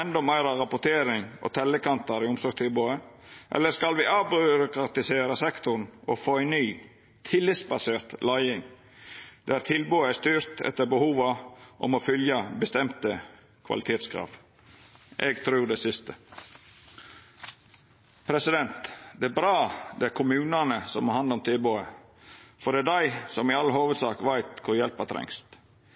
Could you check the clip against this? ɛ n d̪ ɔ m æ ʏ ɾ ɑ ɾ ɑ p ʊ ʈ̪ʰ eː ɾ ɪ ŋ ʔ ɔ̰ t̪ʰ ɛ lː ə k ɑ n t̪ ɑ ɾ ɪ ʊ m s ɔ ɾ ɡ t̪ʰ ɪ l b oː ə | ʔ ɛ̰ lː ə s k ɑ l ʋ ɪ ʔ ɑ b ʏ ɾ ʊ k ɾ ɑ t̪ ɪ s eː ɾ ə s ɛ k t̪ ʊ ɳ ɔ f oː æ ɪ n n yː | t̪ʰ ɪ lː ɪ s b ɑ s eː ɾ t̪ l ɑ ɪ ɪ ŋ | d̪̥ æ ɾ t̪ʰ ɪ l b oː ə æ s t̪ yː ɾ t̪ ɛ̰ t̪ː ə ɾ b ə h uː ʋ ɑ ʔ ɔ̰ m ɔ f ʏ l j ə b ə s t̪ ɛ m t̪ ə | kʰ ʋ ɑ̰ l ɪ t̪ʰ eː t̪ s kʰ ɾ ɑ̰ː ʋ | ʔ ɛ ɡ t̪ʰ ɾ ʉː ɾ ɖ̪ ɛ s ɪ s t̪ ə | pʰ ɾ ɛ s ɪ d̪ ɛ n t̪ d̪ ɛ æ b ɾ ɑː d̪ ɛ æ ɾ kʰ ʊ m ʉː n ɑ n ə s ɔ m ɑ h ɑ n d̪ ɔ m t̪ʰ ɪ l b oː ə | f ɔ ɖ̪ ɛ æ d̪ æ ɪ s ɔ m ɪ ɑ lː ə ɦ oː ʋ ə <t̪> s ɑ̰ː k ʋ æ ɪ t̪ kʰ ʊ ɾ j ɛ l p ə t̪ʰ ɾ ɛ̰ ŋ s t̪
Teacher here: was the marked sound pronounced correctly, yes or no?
no